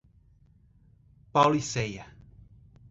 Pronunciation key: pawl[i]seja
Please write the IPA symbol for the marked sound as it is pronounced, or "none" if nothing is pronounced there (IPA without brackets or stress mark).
i